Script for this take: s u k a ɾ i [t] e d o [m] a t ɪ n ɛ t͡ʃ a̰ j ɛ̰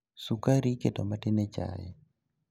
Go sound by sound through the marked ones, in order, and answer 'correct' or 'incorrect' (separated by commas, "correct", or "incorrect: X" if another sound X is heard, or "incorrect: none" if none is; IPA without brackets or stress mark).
incorrect: k, correct